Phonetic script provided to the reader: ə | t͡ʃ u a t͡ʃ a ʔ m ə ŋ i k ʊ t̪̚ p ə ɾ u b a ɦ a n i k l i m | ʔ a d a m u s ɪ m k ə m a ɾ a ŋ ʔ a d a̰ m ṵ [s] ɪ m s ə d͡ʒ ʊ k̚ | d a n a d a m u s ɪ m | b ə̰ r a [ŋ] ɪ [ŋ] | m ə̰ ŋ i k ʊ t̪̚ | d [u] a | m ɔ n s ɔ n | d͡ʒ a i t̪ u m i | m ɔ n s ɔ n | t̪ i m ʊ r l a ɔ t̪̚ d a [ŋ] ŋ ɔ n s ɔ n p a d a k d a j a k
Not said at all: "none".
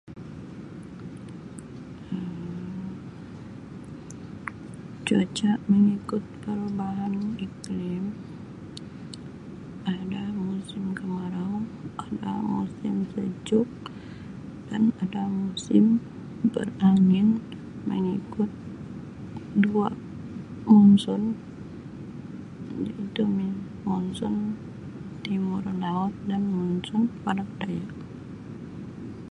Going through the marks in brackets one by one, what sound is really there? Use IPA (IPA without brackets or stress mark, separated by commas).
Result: s, ŋ, n, u, n